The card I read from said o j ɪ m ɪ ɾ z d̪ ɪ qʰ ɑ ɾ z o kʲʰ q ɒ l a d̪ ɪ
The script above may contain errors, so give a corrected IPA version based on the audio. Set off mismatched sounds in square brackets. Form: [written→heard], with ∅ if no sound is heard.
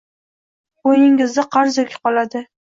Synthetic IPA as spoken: o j ɪ [m→ŋ] ɪ [ɾ→∅] z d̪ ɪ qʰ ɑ ɾ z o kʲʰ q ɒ l a d̪ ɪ